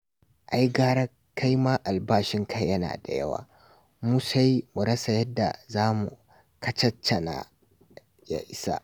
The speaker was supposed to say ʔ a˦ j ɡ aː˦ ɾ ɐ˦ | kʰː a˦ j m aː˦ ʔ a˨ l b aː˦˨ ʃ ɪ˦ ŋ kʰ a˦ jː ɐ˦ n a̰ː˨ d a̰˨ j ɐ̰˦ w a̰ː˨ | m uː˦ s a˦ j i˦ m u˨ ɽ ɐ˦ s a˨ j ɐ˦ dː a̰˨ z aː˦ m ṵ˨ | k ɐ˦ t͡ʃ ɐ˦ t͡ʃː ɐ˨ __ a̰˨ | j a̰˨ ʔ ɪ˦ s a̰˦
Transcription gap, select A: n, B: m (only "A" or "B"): A